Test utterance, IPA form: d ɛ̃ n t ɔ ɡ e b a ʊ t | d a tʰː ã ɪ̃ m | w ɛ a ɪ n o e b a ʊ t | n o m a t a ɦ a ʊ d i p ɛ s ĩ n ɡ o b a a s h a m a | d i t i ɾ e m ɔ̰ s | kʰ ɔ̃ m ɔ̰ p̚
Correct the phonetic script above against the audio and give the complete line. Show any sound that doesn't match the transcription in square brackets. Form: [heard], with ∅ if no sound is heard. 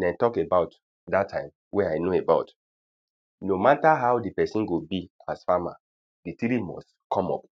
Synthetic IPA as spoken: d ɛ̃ n t ɔ [k] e b a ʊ t | d a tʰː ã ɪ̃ m | w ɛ a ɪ n o e b a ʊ t | n o m a t a ɦ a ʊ d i p ɛ s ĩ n ɡ o b [i] a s [f] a m a | d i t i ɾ [i] m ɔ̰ s | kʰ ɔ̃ m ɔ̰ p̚